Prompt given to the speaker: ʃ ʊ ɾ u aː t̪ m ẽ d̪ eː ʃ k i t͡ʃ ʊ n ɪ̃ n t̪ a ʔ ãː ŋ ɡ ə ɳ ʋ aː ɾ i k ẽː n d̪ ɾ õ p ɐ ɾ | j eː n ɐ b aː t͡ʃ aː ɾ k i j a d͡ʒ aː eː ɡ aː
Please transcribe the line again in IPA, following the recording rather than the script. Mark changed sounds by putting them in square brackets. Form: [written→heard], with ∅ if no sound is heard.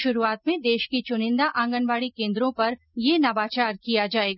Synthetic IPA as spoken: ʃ ʊ ɾ u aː t̪ m ẽ d̪ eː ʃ k i t͡ʃ ʊ n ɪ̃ n [t̪→d̪] a ʔ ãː ŋ ɡ ə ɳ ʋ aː [ɾ→ɽ] i k ẽː n d̪ ɾ õ p ɐ ɾ | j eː n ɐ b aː t͡ʃ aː ɾ k i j a d͡ʒ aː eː ɡ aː